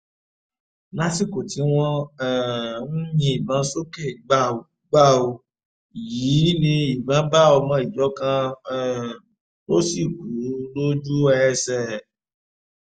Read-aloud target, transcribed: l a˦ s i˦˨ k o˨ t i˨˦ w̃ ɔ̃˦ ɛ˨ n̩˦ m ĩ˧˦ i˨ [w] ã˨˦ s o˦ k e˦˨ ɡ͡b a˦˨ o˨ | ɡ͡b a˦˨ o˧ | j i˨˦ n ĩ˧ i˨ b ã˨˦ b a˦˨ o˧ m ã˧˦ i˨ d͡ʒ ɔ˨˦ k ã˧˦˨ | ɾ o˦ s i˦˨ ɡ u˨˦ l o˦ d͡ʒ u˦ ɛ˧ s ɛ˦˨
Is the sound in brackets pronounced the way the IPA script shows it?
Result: no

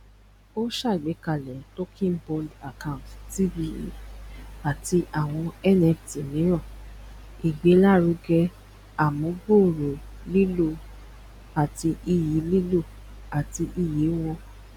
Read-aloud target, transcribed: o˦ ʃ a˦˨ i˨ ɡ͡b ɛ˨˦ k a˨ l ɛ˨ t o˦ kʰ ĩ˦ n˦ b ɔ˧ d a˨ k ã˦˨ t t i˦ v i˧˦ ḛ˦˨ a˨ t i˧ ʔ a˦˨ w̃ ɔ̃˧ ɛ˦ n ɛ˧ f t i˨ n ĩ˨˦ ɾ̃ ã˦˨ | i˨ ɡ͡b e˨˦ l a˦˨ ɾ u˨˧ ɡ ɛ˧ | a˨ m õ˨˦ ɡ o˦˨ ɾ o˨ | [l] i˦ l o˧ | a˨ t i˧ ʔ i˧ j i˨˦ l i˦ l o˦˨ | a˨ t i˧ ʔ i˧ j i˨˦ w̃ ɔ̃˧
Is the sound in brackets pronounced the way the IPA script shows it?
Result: yes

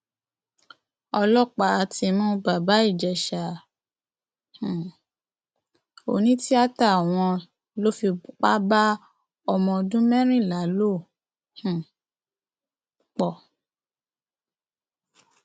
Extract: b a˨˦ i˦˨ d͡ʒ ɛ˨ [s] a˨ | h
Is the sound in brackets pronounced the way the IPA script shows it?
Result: no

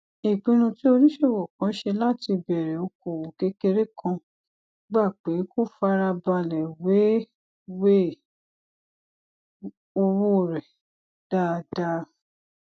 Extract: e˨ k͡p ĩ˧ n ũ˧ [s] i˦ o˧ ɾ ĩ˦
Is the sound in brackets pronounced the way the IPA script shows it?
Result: no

